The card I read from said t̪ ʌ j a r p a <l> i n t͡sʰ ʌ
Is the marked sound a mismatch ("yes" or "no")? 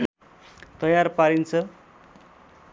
yes